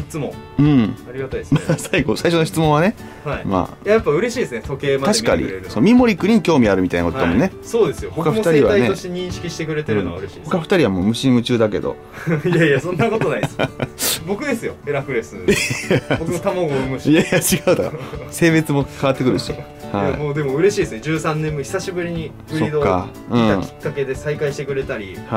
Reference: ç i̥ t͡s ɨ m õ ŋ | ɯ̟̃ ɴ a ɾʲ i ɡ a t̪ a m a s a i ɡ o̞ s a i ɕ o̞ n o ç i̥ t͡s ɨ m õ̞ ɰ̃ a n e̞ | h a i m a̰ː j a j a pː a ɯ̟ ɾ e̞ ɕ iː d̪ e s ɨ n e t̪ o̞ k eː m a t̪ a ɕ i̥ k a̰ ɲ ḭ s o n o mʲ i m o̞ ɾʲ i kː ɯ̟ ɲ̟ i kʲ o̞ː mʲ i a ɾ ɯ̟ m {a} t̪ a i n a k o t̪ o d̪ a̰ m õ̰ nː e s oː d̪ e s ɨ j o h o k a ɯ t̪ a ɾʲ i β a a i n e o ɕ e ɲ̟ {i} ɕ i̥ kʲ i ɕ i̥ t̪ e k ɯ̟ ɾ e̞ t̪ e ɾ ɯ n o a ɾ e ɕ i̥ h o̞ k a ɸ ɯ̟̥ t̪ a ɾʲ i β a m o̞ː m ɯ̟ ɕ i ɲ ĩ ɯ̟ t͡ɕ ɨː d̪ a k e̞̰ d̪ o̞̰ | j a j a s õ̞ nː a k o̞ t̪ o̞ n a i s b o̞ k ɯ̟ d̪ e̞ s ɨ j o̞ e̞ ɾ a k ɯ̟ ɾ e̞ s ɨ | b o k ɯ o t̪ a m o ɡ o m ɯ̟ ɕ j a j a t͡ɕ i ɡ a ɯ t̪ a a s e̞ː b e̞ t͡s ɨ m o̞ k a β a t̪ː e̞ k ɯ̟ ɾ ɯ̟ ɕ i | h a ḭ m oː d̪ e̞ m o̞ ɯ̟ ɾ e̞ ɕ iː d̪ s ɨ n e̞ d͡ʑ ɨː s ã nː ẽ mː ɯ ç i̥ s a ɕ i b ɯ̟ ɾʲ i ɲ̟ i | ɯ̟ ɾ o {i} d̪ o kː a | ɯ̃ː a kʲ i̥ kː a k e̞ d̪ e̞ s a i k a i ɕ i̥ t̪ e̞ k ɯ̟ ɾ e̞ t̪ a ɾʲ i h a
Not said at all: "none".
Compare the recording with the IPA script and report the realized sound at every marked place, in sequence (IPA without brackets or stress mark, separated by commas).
i, ĩ, i